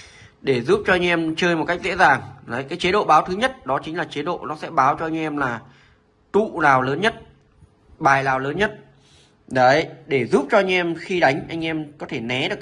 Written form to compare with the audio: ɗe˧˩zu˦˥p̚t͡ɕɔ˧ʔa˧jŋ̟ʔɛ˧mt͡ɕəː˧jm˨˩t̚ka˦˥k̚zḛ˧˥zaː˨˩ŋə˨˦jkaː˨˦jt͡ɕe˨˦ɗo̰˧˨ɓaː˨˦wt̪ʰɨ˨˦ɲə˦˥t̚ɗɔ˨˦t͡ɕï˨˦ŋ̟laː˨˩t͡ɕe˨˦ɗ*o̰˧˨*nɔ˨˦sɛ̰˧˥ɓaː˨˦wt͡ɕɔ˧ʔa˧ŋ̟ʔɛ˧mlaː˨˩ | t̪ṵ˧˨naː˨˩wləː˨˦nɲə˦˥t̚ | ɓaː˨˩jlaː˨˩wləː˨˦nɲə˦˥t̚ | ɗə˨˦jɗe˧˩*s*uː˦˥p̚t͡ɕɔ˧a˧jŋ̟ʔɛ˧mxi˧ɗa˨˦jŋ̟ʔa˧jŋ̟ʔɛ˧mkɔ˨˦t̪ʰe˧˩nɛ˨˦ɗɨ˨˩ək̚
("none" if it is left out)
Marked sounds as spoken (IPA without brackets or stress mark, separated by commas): o̰˧˨, z